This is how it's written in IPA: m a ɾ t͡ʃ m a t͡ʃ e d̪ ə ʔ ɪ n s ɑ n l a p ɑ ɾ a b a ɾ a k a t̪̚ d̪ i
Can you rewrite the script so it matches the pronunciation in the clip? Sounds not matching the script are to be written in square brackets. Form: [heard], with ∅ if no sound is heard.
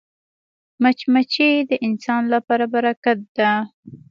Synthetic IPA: m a [∅] t͡ʃ m a t͡ʃ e d̪ ə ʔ ɪ n s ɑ n l a p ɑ ɾ a b a ɾ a k a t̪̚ d̪ [a]